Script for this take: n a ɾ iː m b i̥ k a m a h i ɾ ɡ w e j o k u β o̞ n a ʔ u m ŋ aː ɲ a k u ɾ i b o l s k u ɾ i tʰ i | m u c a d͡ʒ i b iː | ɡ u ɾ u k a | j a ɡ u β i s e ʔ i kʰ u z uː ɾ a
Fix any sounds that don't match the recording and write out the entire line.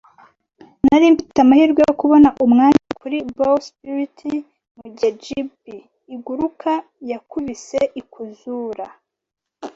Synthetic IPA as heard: n a ɾ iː m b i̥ t a m a h i ɾ ɡ w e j o k u β o̞ n a ʔ u m ŋ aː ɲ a k u ɾ i b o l s p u ɾ i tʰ i | m u ɟ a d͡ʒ i b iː | ɡ u ɾ u k a | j a k u β i s e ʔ i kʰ u z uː ɾ a